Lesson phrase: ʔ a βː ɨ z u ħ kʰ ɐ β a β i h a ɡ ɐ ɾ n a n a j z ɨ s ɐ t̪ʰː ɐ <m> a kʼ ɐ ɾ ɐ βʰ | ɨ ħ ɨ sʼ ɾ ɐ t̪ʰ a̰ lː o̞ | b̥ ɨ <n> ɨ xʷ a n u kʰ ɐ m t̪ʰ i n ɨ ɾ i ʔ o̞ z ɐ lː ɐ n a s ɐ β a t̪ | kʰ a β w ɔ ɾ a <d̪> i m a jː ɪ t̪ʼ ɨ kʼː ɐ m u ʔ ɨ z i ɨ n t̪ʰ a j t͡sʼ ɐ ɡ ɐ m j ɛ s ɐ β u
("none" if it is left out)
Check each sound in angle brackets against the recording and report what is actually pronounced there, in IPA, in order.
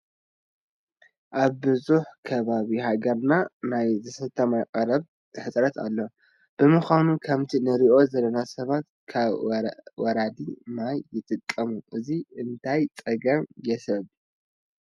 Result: m, m, d̪

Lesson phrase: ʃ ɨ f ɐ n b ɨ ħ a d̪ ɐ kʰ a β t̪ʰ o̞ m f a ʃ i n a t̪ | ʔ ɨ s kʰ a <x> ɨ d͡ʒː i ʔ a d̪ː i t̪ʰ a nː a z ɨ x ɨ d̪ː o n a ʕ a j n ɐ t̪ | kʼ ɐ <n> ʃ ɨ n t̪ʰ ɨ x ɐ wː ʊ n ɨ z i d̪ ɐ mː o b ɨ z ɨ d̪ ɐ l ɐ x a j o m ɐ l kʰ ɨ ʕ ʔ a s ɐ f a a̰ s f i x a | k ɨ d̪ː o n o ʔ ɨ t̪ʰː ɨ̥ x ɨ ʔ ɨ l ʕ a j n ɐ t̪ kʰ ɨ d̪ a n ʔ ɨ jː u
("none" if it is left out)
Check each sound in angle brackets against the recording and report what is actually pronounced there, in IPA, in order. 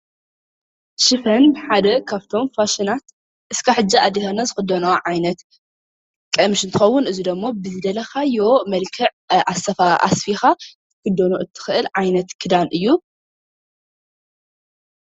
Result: ħ, m

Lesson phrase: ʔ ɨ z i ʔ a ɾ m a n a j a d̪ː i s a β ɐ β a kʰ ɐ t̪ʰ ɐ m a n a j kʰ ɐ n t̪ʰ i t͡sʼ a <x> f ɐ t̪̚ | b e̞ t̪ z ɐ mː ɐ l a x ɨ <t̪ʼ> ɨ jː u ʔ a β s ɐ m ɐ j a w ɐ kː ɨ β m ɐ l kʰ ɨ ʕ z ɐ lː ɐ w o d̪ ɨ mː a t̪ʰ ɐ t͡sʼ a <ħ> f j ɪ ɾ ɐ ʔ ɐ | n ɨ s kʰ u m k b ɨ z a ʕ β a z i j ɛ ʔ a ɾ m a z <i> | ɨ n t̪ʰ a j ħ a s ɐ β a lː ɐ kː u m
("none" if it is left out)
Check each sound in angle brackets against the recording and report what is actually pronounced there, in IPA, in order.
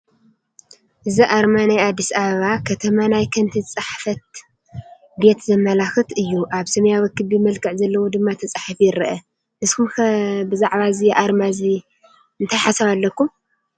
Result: ħ, t̪, ħ, i

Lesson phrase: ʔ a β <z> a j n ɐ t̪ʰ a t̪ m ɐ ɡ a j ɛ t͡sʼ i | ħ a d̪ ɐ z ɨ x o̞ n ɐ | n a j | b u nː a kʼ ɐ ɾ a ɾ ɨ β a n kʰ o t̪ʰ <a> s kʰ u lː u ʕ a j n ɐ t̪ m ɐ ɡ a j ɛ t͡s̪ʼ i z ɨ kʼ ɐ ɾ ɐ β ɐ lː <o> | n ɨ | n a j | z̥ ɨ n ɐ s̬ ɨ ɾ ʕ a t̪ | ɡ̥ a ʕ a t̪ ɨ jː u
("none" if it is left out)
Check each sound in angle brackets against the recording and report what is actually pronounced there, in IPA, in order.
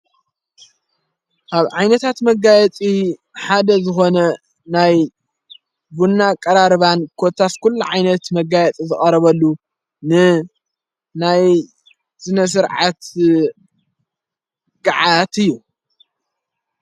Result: ʕ, a, u

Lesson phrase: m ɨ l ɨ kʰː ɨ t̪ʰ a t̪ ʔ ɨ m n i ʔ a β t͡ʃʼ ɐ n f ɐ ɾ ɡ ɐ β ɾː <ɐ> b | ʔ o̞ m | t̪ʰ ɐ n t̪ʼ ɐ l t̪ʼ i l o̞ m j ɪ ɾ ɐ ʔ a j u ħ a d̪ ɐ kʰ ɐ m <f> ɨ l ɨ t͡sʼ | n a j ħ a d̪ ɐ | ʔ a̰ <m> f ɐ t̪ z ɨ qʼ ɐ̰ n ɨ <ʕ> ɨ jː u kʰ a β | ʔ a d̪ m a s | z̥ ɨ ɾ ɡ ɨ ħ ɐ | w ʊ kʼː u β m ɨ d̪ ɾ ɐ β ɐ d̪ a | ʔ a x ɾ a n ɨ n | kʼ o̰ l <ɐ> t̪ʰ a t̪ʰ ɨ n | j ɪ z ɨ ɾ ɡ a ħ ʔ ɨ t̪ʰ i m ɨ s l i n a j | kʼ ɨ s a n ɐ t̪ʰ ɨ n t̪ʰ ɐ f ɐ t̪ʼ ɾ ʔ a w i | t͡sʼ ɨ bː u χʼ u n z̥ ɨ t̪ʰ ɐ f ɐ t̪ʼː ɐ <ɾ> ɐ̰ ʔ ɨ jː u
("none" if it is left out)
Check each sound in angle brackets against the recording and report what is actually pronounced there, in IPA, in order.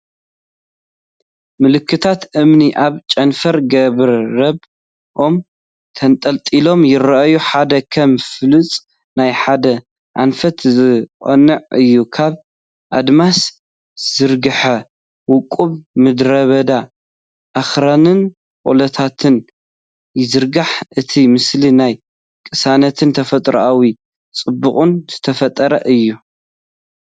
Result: ɐ, f, n, ʕ, ɐ, ɾ

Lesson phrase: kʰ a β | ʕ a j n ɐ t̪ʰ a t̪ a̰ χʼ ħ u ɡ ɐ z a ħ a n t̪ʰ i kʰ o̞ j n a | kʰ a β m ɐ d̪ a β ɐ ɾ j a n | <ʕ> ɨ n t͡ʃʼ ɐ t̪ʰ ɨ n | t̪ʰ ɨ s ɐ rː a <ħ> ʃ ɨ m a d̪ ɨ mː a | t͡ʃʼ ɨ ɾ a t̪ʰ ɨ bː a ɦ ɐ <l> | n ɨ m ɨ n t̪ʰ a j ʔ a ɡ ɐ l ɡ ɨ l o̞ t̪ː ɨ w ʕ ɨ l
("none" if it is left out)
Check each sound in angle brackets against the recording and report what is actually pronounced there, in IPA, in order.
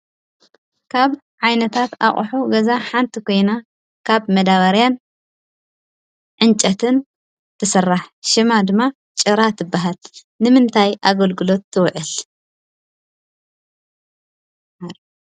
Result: ʕ, ħ, l

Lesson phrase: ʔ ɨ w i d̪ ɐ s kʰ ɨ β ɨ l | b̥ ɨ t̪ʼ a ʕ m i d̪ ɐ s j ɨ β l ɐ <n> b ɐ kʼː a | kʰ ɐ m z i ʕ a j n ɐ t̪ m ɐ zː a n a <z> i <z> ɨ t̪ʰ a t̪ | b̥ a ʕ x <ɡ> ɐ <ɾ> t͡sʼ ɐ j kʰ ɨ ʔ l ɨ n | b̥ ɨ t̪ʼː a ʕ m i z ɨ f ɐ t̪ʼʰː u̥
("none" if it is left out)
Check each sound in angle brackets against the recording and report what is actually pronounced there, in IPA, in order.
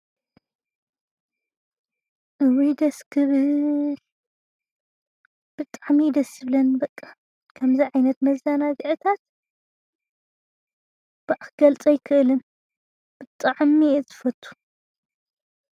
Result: n, z, ʕ, ɡ, l

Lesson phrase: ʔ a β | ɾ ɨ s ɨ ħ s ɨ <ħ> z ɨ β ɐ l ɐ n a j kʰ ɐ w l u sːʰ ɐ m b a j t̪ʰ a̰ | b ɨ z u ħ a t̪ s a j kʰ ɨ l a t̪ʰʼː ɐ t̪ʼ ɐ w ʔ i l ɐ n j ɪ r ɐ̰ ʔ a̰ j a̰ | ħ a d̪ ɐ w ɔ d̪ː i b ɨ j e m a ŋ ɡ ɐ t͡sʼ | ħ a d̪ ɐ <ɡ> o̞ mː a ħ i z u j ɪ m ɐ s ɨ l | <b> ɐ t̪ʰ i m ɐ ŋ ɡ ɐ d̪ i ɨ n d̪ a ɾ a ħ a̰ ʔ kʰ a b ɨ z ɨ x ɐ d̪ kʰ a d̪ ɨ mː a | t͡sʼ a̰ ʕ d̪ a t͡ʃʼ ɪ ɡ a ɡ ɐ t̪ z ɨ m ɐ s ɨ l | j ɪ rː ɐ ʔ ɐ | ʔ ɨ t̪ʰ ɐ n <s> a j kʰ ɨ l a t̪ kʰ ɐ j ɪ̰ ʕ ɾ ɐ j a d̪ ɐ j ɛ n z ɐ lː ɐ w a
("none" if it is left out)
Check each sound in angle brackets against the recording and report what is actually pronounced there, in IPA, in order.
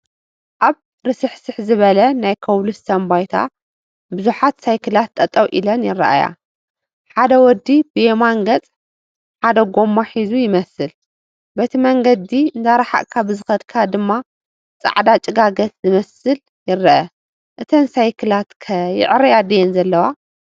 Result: ħ, ɡ, b, s

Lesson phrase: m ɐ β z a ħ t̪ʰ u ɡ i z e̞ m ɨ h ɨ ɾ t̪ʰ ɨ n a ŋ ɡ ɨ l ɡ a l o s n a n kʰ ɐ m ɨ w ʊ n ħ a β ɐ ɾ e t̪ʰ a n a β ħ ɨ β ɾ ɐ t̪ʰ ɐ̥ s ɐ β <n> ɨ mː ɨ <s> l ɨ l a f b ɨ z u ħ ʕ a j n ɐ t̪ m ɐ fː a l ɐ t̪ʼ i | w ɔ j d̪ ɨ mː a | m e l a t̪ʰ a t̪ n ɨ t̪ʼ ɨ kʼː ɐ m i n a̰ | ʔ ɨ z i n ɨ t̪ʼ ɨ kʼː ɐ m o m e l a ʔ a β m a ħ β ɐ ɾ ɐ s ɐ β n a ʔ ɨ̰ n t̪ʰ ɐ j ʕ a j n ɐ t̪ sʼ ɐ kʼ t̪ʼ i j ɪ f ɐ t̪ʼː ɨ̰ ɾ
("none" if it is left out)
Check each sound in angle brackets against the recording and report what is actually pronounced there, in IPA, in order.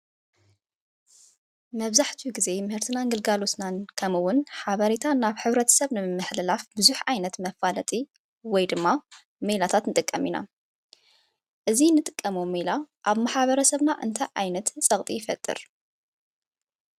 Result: n, ħ

